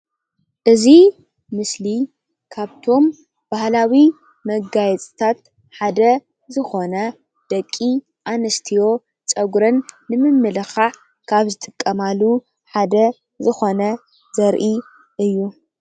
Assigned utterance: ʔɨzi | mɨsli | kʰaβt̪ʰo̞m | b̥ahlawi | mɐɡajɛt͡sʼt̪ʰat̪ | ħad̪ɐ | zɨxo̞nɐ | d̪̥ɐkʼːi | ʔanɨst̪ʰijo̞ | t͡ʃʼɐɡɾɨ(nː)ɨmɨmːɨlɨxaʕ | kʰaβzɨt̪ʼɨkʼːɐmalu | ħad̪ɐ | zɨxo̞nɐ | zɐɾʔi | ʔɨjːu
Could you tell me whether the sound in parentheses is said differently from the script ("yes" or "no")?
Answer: no